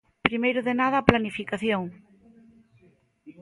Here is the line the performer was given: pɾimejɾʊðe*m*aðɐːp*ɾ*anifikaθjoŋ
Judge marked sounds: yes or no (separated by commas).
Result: no, no